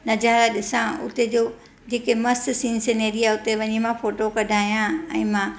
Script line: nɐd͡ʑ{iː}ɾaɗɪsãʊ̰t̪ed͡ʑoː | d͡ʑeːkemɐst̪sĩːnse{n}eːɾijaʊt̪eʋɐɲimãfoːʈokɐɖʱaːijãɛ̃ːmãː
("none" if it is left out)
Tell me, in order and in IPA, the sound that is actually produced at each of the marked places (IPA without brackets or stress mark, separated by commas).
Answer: aː, n